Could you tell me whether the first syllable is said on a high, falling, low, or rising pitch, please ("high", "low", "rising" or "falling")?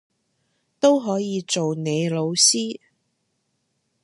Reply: high